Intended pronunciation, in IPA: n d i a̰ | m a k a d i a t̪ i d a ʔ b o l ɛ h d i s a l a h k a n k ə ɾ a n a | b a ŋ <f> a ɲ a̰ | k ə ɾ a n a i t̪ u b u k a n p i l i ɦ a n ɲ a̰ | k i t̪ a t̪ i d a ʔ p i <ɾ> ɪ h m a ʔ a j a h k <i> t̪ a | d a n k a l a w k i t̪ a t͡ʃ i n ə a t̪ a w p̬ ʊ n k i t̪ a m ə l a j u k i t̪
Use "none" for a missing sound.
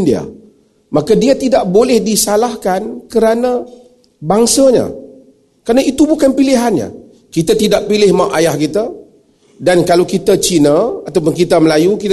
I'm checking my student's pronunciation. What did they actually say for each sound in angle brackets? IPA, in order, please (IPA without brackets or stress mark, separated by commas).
s, l, i